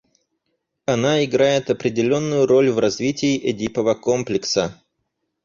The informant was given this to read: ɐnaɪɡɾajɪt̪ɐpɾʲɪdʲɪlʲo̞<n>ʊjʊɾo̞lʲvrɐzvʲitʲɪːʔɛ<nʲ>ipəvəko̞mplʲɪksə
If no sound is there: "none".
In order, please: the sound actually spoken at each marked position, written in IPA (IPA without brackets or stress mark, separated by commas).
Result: nː, dʲ